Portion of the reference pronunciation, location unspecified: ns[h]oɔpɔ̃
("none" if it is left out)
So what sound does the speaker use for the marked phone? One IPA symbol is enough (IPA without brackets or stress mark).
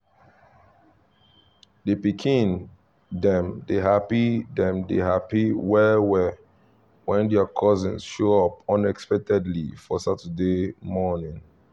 ʃ